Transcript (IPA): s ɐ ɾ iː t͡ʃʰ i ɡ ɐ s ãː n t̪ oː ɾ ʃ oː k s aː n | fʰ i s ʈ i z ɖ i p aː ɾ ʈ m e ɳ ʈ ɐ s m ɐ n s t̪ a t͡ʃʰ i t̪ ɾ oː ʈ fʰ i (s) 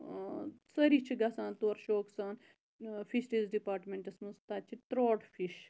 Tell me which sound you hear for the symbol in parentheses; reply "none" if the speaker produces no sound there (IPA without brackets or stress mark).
ʃ